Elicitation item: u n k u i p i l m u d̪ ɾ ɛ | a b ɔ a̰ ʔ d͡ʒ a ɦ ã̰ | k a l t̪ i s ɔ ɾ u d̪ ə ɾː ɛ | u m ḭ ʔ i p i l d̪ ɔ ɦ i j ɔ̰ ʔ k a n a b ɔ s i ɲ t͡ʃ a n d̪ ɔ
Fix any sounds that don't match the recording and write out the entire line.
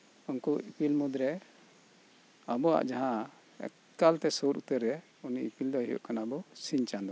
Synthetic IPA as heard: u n k u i p i l m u d̪ ɾ ɛ | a b ɔ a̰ ʔ d͡ʒ a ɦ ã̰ | k a l t̪ ɛ s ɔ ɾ u t̪ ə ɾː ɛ | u n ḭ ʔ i p i l d̪ ɔ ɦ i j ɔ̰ ʔ k a n a b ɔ s i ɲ t͡ʃ a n d̪ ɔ